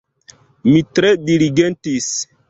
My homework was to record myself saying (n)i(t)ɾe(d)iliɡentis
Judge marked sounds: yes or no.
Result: no, yes, yes

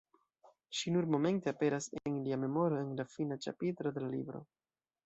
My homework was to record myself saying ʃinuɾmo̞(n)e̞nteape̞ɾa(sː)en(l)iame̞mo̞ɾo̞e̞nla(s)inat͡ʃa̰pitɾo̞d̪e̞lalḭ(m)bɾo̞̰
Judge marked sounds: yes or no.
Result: no, no, yes, no, no

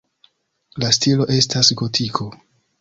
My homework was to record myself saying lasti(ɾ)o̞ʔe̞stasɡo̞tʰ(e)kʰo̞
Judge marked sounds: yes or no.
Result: no, no

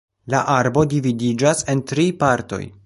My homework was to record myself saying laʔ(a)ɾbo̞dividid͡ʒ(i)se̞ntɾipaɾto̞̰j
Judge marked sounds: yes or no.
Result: yes, no

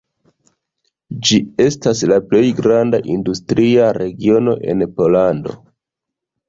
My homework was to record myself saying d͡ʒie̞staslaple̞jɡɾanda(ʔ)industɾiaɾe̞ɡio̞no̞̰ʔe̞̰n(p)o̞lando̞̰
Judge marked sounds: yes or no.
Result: yes, yes

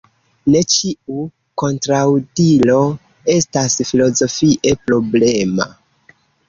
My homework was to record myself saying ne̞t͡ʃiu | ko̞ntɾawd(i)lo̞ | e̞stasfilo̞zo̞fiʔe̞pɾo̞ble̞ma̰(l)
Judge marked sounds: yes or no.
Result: yes, no

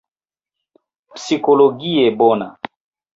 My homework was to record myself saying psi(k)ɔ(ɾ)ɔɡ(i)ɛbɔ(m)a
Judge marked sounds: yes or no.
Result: yes, no, yes, no

